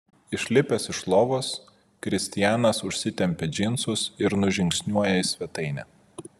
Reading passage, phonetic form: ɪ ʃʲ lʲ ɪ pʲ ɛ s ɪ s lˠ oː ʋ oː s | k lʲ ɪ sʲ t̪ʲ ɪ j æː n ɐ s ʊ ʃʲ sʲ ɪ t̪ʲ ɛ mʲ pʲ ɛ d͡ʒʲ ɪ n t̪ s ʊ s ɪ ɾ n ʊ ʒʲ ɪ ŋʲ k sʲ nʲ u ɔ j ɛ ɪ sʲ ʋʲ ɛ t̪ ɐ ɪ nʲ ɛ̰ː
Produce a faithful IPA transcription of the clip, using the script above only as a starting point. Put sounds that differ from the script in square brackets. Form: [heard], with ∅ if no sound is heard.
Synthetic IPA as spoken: ɪ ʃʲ lʲ ɪ pʲ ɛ s ɪ [ʃ] lˠ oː ʋ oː s | k [ɾʲ] ɪ sʲ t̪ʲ ɪ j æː n ɐ s ʊ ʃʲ sʲ ɪ t̪ʲ ɛ mʲ pʲ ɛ d͡ʒʲ ɪ n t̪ s ʊ s ɪ ɾ n ʊ ʒʲ ɪ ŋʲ k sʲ nʲ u ɔ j ɛ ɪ sʲ ʋʲ ɛ t̪ ɐ ɪ nʲ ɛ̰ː